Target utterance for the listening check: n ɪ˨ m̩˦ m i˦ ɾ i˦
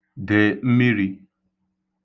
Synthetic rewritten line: d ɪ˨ m̩˦ m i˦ ɾ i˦